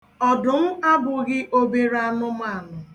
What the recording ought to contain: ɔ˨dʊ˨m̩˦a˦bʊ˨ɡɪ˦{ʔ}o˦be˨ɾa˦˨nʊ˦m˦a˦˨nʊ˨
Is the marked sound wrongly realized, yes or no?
no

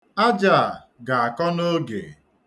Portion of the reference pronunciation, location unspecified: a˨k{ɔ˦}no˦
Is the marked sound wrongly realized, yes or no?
no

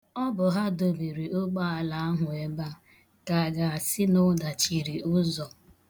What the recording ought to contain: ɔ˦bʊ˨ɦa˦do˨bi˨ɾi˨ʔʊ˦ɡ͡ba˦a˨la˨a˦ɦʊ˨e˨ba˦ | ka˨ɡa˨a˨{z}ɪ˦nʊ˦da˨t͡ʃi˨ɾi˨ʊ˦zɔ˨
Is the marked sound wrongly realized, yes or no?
yes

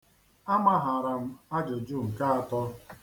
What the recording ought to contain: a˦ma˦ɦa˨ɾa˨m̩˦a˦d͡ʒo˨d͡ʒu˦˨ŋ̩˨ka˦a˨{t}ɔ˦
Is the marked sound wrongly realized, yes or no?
no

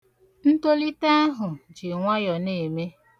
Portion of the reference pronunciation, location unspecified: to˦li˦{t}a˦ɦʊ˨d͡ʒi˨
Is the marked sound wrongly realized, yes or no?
no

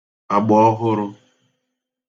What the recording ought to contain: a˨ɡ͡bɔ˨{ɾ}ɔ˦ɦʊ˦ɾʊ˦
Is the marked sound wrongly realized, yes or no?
yes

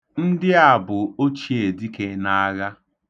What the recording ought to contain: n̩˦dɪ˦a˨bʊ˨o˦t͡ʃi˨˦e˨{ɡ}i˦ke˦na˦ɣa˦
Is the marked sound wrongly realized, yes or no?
yes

